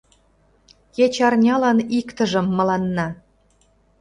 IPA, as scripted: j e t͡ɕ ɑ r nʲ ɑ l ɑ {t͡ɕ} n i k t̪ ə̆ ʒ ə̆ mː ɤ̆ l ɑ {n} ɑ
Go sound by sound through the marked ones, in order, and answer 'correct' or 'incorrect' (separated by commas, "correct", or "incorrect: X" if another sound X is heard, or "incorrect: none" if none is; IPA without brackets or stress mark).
incorrect: none, incorrect: nː